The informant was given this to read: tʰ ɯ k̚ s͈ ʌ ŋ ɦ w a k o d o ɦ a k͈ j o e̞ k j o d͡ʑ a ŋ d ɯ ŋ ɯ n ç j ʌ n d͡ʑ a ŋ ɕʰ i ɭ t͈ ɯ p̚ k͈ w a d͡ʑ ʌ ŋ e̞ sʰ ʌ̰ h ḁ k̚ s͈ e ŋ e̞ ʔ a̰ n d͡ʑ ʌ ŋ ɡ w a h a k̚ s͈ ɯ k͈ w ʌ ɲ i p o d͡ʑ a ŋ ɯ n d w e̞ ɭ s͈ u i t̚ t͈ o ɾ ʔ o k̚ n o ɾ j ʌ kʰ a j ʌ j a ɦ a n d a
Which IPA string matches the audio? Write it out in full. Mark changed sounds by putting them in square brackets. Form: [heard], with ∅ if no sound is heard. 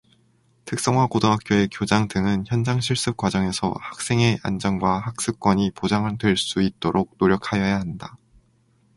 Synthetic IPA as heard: tʰ ɯ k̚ s͈ ʌ ŋ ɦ w a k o d o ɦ a k͈ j o e̞ k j o d͡ʑ a ŋ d ɯ ŋ ɯ n ç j ʌ n d͡ʑ a ŋ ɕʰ i ɭ [s͈] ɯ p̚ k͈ w a d͡ʑ ʌ ŋ e̞ sʰ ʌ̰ h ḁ k̚ s͈ e ŋ e̞ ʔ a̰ n d͡ʑ ʌ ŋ ɡ w a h a k̚ s͈ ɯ k͈ w ʌ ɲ i p o d͡ʑ a ŋ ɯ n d w e̞ ɭ s͈ u i t̚ t͈ o ɾ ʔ o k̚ n o ɾ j ʌ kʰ a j ʌ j a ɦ a n d a